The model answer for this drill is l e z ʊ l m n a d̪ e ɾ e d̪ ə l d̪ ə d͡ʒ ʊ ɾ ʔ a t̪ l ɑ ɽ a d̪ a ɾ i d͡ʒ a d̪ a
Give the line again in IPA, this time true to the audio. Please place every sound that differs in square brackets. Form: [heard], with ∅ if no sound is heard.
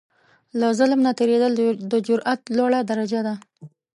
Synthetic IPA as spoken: l [a] z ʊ l m n a [t̪] e ɾ e d̪ ə l d̪ ə d͡ʒ ʊ ɾ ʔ a t̪ l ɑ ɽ a d̪ a ɾ [a] d͡ʒ a d̪ a

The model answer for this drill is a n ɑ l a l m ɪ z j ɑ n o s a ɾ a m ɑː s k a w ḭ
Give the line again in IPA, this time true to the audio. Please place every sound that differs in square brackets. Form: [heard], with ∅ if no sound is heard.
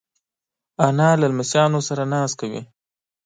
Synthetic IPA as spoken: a n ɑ l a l m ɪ [s] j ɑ n o s a ɾ a [n] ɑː s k a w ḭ

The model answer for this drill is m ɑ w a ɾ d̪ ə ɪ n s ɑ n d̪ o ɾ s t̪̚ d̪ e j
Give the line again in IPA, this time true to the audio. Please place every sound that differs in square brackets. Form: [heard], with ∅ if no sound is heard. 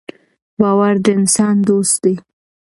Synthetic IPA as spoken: [b] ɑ w a ɾ d̪ ə ɪ n s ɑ n d̪ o [∅] s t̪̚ d̪ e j

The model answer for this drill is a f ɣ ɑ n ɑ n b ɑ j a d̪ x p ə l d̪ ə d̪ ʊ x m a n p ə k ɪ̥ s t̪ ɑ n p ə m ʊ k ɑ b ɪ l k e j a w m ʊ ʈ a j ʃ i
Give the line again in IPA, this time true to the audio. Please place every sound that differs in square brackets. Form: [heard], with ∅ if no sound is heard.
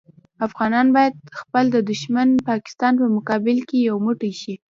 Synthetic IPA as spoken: a f ɣ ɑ n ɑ n b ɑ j a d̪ x p ə l d̪ ə d̪ ʊ [ʃ] m a n p [ɑ] k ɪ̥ s t̪ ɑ n p ə m ʊ k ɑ b ɪ l k e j a w m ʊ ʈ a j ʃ i

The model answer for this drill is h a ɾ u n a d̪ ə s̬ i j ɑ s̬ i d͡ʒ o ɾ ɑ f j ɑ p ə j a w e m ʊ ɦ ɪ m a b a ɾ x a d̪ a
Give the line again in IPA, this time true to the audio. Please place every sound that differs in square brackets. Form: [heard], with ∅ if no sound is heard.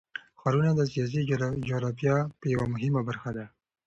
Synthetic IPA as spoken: [x] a ɾ u n a d̪ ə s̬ i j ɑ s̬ i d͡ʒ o ɾ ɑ f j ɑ p ə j a w [a] m ʊ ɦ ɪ m a b a ɾ x a d̪ a

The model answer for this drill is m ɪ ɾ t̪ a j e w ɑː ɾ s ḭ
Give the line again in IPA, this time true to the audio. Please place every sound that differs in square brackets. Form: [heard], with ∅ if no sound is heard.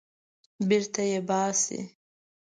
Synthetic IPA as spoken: [b] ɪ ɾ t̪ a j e [b] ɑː [∅] s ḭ

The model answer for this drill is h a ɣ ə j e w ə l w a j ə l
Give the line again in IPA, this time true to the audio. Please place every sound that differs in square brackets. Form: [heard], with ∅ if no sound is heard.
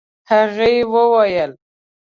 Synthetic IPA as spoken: h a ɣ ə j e w ə [∅] w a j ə l

